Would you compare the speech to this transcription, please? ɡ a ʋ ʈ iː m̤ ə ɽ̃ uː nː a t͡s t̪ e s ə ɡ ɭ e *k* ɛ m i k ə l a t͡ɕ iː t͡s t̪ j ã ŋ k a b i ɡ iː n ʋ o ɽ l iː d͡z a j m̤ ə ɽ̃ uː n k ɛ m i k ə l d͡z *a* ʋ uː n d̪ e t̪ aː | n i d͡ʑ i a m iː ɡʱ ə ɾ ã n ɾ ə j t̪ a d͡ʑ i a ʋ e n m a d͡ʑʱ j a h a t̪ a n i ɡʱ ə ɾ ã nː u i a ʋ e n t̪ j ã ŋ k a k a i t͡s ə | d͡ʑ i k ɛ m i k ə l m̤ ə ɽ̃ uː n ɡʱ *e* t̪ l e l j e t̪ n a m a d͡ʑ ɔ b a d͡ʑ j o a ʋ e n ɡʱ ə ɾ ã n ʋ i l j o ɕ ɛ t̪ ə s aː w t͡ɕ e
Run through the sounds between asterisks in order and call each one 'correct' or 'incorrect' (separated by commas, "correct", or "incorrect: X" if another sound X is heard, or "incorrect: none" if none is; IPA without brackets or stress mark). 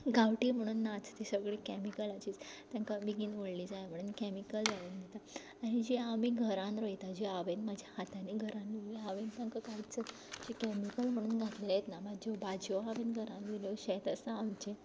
correct, correct, incorrect: a